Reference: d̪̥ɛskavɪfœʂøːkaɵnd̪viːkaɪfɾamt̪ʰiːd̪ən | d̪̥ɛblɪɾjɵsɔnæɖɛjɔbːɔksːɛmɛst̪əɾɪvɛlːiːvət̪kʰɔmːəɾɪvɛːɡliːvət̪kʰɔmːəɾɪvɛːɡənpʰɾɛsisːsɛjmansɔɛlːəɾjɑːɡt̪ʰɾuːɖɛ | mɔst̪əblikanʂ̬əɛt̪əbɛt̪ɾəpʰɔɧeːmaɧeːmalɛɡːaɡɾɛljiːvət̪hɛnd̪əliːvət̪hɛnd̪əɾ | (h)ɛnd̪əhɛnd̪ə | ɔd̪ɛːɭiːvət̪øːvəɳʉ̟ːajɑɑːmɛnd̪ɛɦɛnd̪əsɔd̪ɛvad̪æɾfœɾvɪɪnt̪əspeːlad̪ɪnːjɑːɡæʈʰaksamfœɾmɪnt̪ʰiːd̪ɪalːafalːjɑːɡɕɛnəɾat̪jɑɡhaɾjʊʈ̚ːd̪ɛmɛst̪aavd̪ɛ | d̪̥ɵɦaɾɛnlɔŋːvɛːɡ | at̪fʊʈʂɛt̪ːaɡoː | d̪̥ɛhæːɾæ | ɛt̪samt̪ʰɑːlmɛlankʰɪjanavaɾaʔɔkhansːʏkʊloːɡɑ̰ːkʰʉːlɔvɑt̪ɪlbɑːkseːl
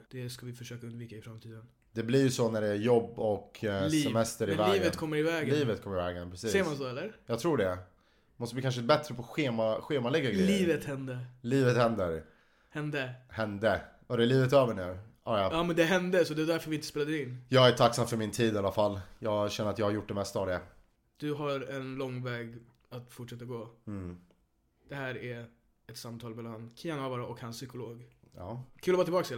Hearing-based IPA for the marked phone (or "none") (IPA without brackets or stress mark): h